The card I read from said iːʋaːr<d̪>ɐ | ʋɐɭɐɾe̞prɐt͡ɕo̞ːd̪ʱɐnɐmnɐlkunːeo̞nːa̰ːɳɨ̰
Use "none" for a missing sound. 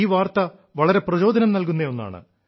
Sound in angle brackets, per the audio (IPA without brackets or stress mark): t̪